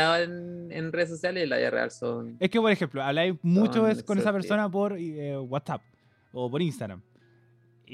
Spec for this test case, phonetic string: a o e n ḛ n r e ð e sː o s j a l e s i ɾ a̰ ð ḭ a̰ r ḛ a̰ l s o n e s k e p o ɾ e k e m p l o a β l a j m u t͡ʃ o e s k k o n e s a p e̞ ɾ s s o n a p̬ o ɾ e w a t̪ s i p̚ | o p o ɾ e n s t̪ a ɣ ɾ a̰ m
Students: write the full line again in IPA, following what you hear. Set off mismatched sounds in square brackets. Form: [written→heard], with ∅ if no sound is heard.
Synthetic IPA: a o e n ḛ n r e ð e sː o s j a l e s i [ɾ→l] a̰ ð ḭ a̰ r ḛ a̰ l s o n e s k e p o ɾ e [k→x] e m p l o a β l a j m u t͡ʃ o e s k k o n e s a p e̞ ɾ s s o n a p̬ o ɾ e w a t̪ s [i→a] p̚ | o p o ɾ [e→i] n s t̪ a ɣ ɾ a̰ m